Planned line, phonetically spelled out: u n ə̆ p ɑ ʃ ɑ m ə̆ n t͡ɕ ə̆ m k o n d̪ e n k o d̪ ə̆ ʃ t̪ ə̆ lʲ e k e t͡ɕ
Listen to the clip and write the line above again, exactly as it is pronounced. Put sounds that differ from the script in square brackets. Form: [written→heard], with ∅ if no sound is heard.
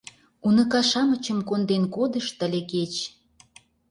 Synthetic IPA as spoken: u n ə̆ [p→k] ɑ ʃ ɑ m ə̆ [n→∅] t͡ɕ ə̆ m k o n d̪ e n k o d̪ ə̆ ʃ t̪ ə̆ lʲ e k e t͡ɕ